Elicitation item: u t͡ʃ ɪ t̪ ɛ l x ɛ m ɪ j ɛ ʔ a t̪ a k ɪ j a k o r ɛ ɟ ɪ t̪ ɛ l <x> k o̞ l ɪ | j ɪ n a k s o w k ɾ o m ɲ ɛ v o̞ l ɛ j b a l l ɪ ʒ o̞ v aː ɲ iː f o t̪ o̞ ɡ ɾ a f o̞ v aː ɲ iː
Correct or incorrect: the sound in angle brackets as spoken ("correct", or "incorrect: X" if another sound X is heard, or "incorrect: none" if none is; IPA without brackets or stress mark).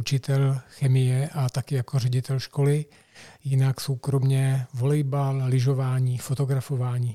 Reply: incorrect: ʃ